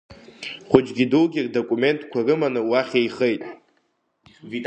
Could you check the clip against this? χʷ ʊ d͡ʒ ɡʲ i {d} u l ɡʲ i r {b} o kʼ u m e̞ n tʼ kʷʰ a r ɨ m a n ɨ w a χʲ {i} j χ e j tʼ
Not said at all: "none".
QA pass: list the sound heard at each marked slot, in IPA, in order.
d, d, e

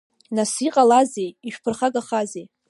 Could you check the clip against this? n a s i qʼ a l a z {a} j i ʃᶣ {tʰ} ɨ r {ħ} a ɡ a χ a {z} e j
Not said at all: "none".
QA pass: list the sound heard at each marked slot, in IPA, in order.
e, pʰ, χ, z

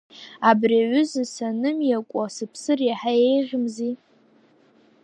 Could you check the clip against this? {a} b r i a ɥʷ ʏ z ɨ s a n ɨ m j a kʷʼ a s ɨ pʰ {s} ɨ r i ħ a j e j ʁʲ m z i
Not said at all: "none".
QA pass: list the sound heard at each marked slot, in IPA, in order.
a, s

